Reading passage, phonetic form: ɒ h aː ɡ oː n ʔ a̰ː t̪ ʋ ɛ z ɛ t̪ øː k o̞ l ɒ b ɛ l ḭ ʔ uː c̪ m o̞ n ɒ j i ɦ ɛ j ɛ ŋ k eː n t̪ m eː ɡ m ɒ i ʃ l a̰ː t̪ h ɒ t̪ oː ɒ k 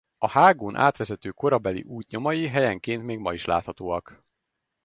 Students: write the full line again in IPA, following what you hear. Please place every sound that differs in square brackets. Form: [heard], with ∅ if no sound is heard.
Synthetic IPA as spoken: ɒ h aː ɡ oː n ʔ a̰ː t̪ ʋ ɛ z ɛ t̪ øː k o̞ [ɾ] ɒ b ɛ l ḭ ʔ uː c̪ [ɲ] o̞ [m] ɒ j i ɦ ɛ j ɛ ŋ k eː n t̪ m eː ɡ m ɒ i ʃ l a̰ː t̪ h ɒ t̪ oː ɒ k